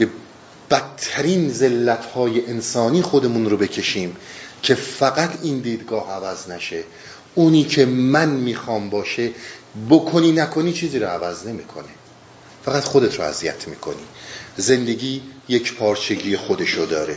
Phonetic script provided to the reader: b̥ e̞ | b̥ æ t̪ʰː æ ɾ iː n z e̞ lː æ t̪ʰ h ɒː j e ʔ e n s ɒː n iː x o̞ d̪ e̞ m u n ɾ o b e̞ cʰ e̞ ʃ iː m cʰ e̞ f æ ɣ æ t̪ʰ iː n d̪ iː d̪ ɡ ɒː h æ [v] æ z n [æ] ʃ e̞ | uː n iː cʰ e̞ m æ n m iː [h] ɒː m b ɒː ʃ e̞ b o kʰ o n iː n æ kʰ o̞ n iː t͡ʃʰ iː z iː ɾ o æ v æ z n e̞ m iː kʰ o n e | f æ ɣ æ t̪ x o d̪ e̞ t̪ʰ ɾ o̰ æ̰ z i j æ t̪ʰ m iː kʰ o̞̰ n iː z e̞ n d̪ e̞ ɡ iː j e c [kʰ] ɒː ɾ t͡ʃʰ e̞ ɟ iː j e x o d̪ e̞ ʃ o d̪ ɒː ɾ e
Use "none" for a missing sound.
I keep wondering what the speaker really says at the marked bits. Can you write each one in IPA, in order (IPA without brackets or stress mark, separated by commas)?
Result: v, æ, x, pʰ